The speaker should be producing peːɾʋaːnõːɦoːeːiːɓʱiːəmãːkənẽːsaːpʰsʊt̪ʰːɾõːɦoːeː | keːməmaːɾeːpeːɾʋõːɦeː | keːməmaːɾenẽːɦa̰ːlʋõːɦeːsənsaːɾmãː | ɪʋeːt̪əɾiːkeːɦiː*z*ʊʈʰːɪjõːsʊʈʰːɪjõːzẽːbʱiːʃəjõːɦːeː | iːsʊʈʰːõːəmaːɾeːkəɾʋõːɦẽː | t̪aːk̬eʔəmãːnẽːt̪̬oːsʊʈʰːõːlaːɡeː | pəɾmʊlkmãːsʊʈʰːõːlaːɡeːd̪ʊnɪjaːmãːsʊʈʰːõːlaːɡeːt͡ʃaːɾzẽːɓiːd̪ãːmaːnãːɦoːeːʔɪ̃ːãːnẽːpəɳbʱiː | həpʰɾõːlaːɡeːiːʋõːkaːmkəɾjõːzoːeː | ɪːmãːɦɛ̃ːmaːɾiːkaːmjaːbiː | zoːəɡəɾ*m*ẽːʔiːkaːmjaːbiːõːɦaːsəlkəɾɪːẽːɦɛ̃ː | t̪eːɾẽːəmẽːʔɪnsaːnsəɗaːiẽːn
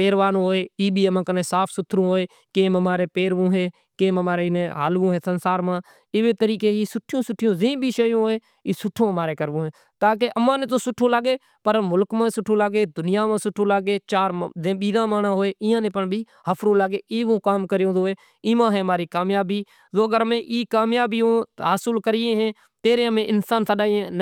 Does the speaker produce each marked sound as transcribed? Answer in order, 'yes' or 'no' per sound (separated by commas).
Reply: no, yes